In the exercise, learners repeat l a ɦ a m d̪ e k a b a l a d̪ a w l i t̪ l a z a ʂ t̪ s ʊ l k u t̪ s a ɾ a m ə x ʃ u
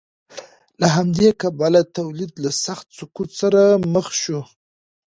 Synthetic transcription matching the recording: l a ɦ a m d̪ e k a b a l a t̪ a w l i d̪ l a s a x t̪ s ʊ k u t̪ s a ɾ a m ə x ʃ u